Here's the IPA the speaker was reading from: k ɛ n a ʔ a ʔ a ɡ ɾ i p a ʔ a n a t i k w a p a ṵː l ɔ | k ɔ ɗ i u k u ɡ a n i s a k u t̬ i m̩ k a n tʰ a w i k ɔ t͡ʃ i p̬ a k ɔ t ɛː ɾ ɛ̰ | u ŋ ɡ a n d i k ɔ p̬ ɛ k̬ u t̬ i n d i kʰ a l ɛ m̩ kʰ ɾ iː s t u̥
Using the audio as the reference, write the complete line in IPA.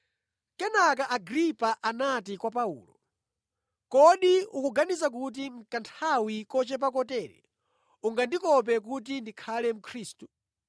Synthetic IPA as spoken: k ɛ n a k a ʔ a ɡ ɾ i p a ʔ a n a t i k w a p a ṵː l ɔ | k ɔ ɗ i u k u ɡ a n i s a k u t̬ i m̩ k a n tʰ a w i k ɔ t͡ʃ ɛ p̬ a k ɔ t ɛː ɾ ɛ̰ | u ŋ ɡ a n d i k ɔ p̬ ɛ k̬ u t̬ i n d i kʰ a l ɛ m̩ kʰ ɾ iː s t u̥